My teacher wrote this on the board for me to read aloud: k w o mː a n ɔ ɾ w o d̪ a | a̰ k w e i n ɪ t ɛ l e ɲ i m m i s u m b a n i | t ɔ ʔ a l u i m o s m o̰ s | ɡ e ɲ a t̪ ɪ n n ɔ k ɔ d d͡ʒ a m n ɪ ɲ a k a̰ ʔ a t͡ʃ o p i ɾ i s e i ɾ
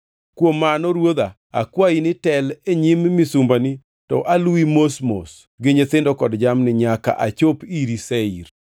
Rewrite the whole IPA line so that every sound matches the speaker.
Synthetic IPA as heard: k w o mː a n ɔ ɾ w o d̪ a | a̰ k w a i n ɪ t ɛ l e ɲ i m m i s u m b a n i | t ɔ ʔ a l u i m o s m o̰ s | ɡ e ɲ e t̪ ɪ n d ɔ k ɔ d d͡ʒ a m n ɪ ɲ a k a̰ ʔ a t͡ʃ o p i ɾ i s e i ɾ